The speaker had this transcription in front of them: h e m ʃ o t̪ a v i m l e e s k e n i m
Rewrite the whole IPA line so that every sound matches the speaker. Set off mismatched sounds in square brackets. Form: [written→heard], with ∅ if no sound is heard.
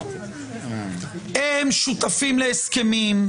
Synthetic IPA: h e m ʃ [o→u] t̪ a [v→f] i m l e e s k e [n→m] i m